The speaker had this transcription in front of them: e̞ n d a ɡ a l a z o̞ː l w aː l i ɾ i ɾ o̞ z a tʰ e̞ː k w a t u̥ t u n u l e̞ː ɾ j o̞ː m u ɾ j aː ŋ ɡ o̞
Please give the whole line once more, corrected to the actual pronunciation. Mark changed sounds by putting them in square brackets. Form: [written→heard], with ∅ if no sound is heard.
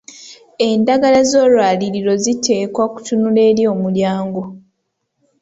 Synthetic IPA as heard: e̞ n d a ɡ a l a z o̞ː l w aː l i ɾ i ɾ o̞ z [a→i] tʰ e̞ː k w a [t→k] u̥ t u n u l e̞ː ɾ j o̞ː m u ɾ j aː ŋ ɡ o̞